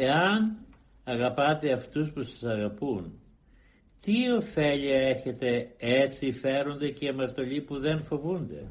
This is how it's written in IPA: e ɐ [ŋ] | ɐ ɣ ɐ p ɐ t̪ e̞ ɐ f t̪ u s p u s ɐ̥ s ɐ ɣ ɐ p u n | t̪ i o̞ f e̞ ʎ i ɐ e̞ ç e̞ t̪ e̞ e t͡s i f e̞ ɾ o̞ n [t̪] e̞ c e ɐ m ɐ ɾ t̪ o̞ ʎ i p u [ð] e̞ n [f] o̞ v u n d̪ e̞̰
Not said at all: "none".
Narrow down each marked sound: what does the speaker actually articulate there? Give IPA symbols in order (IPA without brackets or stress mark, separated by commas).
n, d̪, ð, f